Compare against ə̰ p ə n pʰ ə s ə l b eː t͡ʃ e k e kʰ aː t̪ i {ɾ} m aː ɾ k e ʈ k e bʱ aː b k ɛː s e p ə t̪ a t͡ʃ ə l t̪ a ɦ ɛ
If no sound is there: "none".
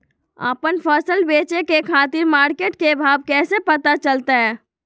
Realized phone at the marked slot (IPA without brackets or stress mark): ɾ